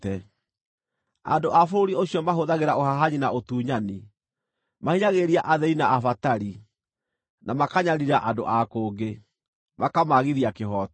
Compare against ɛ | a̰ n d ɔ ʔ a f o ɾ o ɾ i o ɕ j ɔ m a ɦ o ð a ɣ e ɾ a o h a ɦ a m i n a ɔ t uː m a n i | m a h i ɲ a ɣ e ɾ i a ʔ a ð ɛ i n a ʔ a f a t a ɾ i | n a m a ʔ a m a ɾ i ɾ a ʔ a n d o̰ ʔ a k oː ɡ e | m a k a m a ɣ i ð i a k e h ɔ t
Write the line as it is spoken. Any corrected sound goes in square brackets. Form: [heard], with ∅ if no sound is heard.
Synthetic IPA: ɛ | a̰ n d [o] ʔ a f o ɾ o ɾ i o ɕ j ɔ m a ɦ o ð a ɣ e ɾ a o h a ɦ a [ɲ] i n a [o] t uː [ɲ] a n i | m a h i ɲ a ɣ e ɾ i a ʔ a ð ɛ i n a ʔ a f a t a ɾ i | n a m a [k] a [ɲ] a ɾ i ɾ a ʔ a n d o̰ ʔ a k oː ɡ e | m a k a m a ɣ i ð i a k e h ɔ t